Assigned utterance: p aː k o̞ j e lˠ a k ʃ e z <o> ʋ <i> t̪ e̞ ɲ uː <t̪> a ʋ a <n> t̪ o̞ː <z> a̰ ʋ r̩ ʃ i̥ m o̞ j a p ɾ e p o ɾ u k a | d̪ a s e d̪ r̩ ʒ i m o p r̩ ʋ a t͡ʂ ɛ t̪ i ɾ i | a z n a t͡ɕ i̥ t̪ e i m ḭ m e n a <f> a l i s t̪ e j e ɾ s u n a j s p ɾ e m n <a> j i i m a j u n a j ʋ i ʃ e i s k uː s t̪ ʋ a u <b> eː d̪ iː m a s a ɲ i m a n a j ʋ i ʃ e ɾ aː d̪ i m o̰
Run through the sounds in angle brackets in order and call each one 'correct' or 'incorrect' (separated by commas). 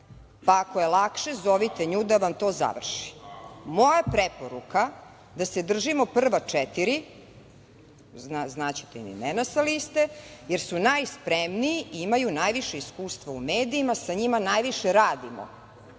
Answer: correct, correct, incorrect, incorrect, correct, incorrect, incorrect, incorrect